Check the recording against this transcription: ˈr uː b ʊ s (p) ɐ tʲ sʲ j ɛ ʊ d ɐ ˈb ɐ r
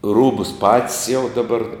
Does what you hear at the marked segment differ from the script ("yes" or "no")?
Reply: no